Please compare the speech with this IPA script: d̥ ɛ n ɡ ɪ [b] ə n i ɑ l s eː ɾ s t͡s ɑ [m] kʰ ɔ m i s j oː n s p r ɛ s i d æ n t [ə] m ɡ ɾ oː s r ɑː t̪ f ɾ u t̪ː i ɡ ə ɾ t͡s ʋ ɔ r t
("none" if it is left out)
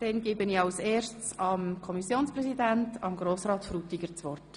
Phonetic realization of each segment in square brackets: b, m, ɑ

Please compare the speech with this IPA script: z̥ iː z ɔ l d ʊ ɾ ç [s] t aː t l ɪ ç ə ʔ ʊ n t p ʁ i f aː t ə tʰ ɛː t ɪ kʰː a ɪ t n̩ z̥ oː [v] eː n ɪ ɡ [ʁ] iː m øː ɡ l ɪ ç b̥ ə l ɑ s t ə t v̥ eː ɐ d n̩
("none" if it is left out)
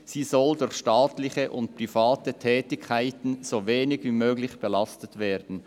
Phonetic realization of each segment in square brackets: ʃ, v, v

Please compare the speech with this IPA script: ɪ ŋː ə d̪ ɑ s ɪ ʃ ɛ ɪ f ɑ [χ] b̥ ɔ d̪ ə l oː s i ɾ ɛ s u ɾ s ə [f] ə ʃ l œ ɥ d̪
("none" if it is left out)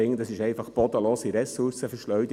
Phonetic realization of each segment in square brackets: χ, f

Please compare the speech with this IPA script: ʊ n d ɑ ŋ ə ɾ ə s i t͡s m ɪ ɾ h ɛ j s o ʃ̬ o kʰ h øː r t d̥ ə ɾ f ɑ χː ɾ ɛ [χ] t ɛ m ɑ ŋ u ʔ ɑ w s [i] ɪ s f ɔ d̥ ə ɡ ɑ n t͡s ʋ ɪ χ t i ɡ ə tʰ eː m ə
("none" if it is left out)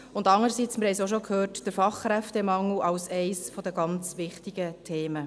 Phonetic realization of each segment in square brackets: f, ɛ

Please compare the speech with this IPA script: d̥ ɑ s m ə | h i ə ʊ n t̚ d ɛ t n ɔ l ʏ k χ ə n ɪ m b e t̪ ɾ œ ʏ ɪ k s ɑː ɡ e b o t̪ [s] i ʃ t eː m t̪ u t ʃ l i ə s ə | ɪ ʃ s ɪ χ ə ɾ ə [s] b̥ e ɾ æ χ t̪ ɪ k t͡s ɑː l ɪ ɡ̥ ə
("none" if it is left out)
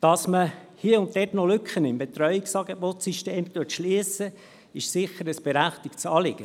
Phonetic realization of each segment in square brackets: s, s

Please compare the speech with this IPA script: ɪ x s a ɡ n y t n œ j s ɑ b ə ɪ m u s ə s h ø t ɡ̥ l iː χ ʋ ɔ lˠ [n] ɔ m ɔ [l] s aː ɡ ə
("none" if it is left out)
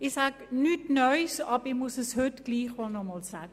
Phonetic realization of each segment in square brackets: n, l

